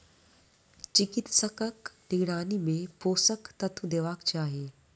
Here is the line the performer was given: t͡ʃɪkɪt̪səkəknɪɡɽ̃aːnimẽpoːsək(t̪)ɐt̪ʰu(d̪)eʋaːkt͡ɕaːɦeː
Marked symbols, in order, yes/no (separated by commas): yes, yes